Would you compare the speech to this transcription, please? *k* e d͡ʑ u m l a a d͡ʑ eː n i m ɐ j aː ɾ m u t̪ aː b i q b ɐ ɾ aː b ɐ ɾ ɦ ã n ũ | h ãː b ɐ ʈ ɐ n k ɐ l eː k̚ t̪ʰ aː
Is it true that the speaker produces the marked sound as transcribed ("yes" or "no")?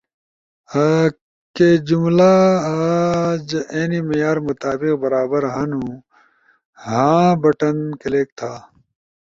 yes